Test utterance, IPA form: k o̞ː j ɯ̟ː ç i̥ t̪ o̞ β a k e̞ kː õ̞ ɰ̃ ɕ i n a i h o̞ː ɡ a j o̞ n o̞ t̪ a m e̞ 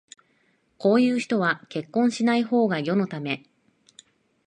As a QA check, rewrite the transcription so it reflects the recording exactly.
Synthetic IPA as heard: k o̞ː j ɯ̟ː ç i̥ t̪ o̞ β a k e̞ kː õ̞ ɰ̃ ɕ i n a i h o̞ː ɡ a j o̞ n o̞ t̪ a m e̞

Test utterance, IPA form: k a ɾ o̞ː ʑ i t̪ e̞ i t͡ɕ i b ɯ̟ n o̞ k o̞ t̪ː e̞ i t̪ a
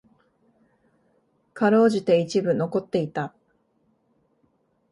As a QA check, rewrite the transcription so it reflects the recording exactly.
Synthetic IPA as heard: k a ɾ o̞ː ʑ i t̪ e̞ i t͡ɕ i b ɯ̟ n o̞ k o̞ t̪ː e̞ i t̪ a

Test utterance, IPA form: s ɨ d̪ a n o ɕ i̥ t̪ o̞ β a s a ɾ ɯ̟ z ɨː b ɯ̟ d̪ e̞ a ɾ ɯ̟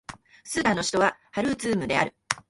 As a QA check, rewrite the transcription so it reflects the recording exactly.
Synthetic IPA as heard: s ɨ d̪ a n o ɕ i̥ t̪ o̞ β a h a ɾ ɯ̟ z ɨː m ɯ̟ d̪ e̞ a ɾ ɯ̟

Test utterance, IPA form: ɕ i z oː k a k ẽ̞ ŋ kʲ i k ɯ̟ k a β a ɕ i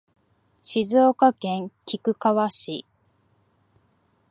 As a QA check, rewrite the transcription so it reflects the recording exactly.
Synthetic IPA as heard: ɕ i z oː k a k ẽ̞ ŋ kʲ i k ɯ̟ k a β a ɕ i

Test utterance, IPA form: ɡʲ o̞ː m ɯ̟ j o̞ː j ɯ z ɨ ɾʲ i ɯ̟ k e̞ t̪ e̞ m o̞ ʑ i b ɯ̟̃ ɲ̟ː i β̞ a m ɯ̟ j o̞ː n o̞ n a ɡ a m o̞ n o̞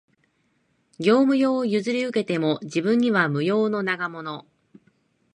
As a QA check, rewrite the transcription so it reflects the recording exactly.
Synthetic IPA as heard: ɡʲ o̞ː m ɯ̟ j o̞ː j ɯ z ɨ ɾʲ i ɯ̟ k e̞ t̪ e̞ m o̞ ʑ i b ɯ̟̃ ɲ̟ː i β̞ a m ɯ̟ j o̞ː n o̞ n a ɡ a m o̞ n o̞

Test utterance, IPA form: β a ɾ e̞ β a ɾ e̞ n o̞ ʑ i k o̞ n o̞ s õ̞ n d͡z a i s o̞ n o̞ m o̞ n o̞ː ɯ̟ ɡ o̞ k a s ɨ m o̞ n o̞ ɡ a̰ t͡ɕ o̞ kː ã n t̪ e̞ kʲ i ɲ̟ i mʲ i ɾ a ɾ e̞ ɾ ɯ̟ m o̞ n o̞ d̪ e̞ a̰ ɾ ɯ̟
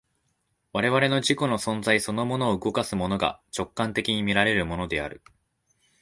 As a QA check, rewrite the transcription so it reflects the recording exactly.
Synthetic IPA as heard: β a ɾ e̞ β a ɾ e̞ n o̞ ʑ i k o̞ n o̞ s õ̞ n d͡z a i s o̞ n o̞ m o̞ n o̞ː ɯ̟ ɡ o̞ k a s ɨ m o̞ n o̞ ɡ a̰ t͡ɕ o̞ kː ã n t̪ e̞ kʲ i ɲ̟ i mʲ i ɾ a ɾ e̞ ɾ ɯ̟ m o̞ n o̞ d̪ e̞ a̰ ɾ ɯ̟

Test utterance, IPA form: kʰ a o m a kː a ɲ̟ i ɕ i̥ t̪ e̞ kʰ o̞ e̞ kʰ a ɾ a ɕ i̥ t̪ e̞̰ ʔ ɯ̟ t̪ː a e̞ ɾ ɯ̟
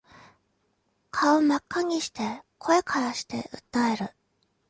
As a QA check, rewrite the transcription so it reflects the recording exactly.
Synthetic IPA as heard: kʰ a o m a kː a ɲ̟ i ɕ i̥ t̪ e̞ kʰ o̞ e̞ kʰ a ɾ a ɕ i̥ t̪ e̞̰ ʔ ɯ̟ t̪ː a e̞ ɾ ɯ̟

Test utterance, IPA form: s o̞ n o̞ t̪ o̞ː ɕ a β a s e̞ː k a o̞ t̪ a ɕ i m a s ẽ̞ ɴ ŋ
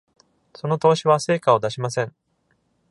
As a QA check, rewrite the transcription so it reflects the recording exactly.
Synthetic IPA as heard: s o̞ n o̞ t̪ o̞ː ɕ i β a s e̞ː k a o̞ d̪ a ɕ i m a s ẽ̞ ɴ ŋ

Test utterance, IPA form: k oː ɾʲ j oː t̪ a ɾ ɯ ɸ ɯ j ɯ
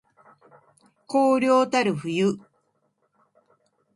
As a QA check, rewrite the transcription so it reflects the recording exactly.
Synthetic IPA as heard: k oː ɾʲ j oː t̪ a ɾ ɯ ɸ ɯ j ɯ

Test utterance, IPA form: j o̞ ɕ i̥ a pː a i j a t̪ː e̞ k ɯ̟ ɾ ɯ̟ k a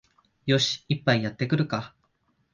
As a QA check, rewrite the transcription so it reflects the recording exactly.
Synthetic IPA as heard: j o̞ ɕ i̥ i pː a i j a t̪ː e̞ k ɯ̟ ɾ ɯ̟ k a

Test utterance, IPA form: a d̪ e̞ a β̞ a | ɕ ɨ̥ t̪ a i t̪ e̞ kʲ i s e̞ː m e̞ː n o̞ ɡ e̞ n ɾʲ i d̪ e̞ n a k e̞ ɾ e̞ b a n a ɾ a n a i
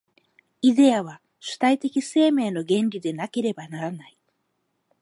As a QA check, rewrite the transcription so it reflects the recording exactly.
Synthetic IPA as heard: i d̪ e̞ a β̞ a | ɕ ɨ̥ t̪ a i t̪ e̞ kʲ i s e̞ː m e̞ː n o̞ ɡ ẽ̞ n ɾʲ i d̪ e̞ n a k e̞ ɾ e̞ b a n a ɾ a n a i

